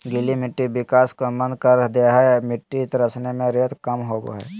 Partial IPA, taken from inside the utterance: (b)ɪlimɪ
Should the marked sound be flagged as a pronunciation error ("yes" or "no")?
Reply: yes